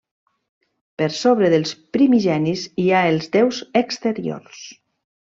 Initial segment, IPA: p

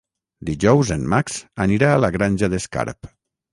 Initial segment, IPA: d̪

